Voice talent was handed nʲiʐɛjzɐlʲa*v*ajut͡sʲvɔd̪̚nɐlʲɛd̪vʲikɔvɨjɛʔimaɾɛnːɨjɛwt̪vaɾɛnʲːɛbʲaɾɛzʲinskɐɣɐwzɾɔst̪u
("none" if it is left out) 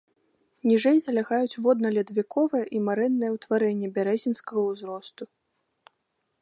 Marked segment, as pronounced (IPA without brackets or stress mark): ɣ